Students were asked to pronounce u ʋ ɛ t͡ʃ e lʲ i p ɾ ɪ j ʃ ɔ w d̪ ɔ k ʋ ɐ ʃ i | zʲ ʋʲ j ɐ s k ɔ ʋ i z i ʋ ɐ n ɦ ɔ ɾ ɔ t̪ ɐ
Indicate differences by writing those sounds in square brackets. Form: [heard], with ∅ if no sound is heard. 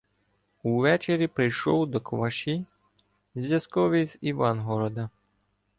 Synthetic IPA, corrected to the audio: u ʋ ɛ t͡ʃ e [ɾʲ] i p ɾ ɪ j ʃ ɔ w d̪ ɔ k ʋ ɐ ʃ i | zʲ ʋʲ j ɐ s k ɔ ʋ i z i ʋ [ɑ] n ɦ ɔ ɾ ɔ [d̪] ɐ